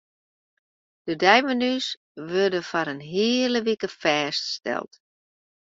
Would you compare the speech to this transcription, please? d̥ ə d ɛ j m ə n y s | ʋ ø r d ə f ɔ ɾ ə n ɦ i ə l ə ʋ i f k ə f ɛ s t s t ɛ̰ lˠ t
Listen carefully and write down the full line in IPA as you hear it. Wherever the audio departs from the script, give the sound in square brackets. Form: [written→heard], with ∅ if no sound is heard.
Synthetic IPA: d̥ ə d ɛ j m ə n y s | ʋ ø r d ə f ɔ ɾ ə n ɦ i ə l ə ʋ i [f→∅] k ə f [ɛ→ɛː] s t s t ɛ̰ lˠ t